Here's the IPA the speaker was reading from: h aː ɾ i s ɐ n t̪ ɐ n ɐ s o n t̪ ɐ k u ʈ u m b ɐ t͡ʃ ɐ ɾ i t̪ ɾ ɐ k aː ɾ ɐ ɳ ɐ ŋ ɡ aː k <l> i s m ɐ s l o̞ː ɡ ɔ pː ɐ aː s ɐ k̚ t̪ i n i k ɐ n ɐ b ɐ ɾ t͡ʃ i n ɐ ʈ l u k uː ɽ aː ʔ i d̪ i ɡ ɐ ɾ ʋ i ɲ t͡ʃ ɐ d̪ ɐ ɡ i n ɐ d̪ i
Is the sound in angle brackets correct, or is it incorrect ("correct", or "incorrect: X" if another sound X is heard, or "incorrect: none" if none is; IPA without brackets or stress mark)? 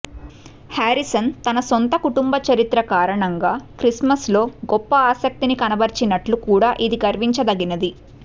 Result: incorrect: ɾ